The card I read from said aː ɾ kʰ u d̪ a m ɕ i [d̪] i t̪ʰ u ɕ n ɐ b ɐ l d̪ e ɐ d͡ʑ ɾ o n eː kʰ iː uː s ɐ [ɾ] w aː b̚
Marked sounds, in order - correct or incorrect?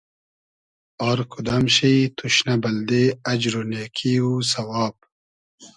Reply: incorrect: none, incorrect: none

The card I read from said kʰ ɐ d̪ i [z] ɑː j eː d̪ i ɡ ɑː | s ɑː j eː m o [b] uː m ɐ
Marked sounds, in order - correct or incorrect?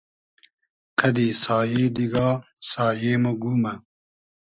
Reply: incorrect: s, incorrect: ɡ

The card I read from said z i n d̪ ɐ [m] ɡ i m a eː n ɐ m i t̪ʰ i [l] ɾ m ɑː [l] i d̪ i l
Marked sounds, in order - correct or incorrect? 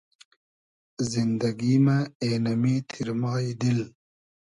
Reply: incorrect: none, incorrect: none, incorrect: none

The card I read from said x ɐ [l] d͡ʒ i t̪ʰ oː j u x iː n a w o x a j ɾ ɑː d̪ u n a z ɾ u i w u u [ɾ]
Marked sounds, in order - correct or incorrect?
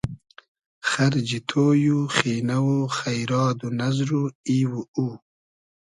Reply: incorrect: ɾ, incorrect: none

